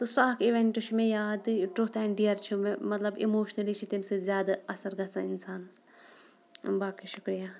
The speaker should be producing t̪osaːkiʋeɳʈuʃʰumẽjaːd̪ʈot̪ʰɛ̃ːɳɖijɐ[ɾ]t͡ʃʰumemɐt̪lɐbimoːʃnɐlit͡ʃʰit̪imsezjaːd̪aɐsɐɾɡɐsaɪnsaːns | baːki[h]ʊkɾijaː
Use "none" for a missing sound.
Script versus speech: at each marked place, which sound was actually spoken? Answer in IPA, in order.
ɾ, ʃ

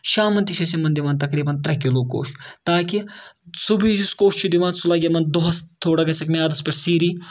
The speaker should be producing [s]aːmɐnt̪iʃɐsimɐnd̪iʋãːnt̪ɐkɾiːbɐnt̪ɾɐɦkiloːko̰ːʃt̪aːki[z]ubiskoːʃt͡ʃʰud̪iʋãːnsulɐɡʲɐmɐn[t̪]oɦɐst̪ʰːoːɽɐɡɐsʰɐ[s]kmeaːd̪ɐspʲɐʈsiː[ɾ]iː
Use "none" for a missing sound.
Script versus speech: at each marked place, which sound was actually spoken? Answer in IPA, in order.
ʃ, s, d̪, none, ɾ

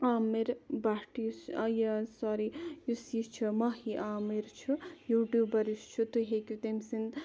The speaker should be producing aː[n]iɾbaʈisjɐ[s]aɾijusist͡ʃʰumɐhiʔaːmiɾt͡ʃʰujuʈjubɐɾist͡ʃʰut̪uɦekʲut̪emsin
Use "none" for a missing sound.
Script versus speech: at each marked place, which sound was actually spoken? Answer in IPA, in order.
m, s

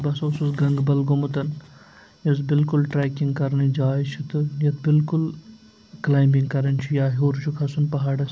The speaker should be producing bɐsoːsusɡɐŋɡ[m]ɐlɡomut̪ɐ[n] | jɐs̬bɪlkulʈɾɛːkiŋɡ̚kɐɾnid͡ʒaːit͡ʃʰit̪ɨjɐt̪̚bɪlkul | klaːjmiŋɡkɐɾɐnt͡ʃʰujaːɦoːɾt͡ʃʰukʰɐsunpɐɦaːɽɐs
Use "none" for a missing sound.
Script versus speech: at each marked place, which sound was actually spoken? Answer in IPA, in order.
b, n

